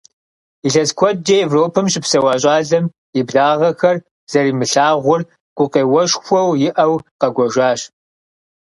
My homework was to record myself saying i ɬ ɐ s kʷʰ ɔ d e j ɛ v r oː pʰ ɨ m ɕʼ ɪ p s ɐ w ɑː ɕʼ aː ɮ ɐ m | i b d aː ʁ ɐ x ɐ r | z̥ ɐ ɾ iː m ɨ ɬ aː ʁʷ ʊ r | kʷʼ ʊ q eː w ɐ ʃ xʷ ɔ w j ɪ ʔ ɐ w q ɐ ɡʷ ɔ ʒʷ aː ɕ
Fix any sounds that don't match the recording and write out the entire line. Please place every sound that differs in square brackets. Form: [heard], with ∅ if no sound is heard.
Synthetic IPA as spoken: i ɬ ɐ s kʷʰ ɔ [d͡ʒ] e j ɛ v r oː pʰ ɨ m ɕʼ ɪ p s ɐ w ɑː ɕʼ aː ɮ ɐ m | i b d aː ʁ ɐ x ɐ r | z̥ ɐ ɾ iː m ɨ ɬ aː ʁʷ ʊ r | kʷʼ ʊ q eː w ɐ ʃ xʷ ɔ w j ɪ ʔ ɐ w q ɐ ɡʷ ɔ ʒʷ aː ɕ